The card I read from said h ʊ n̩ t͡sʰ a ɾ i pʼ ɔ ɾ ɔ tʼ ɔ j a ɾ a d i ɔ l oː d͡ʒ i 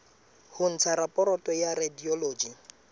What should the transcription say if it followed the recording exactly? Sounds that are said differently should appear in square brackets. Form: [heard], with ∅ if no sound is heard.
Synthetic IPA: h ʊ n̩ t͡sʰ a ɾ [a] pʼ ɔ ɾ ɔ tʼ ɔ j a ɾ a d i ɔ l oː d͡ʒ i